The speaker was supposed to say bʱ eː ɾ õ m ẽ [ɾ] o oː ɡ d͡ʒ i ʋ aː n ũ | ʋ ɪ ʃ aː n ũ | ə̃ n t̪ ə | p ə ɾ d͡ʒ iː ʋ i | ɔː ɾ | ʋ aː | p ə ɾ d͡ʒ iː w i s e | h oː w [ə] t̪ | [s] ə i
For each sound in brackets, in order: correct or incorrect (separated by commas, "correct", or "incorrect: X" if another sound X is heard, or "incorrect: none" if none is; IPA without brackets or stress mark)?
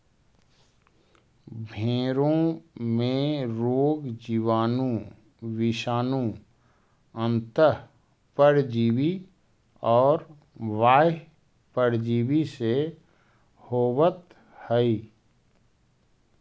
correct, correct, incorrect: h